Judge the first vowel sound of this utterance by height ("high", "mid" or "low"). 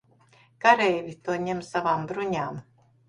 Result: low